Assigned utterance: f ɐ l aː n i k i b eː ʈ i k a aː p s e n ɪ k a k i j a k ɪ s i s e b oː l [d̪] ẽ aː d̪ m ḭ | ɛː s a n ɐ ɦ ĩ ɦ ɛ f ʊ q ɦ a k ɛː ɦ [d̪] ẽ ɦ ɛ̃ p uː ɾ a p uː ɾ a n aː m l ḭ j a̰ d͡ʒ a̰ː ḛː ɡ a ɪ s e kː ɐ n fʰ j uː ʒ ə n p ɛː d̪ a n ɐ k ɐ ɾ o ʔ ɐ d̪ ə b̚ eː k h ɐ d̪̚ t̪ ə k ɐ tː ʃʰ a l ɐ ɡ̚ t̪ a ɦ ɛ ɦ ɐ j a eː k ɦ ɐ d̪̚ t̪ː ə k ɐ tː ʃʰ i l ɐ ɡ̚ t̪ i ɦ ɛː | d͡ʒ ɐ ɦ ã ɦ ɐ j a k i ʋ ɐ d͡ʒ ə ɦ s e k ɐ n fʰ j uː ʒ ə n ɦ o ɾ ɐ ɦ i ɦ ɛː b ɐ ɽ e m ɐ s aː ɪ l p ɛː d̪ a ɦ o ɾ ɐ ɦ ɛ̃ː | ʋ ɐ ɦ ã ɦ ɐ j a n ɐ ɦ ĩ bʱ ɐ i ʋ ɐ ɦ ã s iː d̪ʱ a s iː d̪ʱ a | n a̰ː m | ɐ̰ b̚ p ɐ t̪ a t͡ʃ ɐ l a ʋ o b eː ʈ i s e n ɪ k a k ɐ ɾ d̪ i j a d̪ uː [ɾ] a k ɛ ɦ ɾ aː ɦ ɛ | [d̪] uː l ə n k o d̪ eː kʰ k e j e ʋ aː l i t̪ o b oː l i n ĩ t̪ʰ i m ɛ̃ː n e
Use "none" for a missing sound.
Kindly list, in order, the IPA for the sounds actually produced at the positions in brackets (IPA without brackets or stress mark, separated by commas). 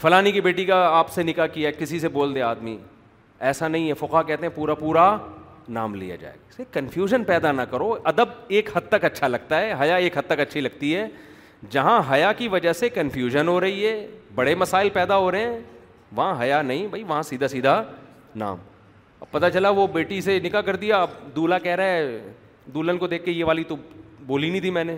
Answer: d̪, t̪, l, d̪